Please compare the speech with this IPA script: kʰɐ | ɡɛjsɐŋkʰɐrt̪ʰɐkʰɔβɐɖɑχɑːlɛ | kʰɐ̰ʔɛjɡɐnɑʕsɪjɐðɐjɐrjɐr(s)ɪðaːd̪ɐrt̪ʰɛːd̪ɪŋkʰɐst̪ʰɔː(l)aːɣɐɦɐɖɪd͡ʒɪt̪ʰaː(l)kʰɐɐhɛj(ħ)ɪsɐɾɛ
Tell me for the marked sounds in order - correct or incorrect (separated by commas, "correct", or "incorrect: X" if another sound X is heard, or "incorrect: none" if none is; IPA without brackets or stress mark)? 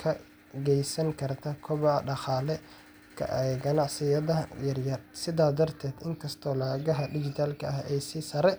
correct, correct, correct, incorrect: s